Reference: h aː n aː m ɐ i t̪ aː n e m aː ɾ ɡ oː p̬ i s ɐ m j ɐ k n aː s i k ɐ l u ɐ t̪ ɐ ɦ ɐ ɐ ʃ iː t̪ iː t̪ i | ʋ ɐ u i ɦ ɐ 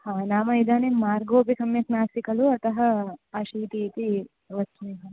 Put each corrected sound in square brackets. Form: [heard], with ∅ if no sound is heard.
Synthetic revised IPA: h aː n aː m ɐ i [d̪] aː n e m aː ɾ ɡ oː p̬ i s ɐ m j ɐ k n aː s i k ɐ l u ɐ t̪ ɐ ɦ ɐ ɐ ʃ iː t̪ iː t̪ i | ʋ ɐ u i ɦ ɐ